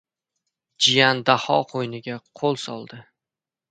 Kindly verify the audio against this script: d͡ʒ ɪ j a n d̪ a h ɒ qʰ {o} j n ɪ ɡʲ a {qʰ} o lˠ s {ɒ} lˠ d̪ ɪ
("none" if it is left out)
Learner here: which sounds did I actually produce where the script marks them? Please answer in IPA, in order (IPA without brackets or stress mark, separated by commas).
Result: o, qʰ, ɒ